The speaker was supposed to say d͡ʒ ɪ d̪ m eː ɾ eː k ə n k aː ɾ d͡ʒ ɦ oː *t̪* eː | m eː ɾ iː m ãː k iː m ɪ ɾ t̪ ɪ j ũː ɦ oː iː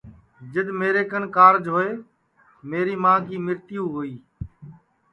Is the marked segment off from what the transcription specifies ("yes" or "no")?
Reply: yes